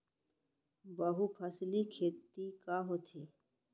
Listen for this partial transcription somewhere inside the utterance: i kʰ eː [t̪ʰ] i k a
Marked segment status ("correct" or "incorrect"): incorrect